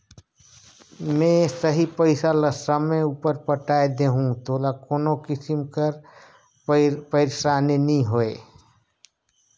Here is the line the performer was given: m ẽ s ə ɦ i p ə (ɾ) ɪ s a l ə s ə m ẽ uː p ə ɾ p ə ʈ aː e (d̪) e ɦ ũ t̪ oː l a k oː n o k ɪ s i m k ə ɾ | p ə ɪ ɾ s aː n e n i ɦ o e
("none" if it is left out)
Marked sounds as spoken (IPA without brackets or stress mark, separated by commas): none, d̪